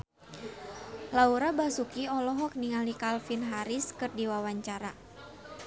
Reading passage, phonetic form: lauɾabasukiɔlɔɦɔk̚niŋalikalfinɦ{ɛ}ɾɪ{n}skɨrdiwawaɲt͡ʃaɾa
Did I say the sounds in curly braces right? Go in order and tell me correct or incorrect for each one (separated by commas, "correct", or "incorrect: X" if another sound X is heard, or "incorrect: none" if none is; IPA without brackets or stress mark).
incorrect: a, incorrect: none